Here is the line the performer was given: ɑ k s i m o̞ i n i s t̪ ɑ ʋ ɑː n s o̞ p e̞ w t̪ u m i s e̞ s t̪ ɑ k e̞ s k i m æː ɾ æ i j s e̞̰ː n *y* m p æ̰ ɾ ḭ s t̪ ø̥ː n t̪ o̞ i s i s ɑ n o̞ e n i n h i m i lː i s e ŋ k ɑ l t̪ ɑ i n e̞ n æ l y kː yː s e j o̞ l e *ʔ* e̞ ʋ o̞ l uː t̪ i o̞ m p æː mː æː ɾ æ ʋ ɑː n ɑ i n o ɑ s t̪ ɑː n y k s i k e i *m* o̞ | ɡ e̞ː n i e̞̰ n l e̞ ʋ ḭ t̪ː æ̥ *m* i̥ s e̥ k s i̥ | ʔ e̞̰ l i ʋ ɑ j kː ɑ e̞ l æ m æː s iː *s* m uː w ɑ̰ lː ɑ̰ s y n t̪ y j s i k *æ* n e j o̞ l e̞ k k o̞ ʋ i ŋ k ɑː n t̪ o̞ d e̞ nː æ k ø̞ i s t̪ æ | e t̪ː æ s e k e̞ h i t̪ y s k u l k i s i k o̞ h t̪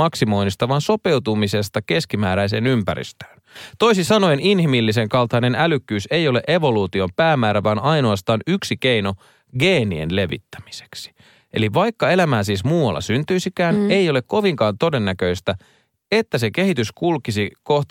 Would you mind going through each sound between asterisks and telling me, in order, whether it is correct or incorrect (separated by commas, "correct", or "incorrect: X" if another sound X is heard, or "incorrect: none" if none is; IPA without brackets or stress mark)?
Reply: correct, correct, incorrect: n, correct, correct, incorrect: æː